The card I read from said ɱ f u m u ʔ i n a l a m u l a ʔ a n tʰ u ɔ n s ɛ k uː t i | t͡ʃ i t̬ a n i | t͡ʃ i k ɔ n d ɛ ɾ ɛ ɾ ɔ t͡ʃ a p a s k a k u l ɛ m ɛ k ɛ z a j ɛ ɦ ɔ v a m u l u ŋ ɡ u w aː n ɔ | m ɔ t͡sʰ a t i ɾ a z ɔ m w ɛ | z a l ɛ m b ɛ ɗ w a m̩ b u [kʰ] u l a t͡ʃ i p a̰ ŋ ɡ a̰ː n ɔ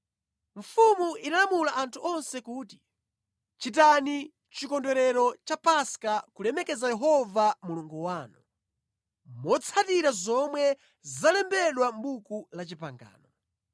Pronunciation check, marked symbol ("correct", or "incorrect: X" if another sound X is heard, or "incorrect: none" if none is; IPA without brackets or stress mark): incorrect: k